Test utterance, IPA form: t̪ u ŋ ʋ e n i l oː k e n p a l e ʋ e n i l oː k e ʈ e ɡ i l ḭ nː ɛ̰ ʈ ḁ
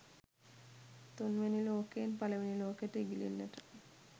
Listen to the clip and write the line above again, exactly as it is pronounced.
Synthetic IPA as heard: t̪ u n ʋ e n i l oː k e n p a l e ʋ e n i l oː k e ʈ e ɡ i l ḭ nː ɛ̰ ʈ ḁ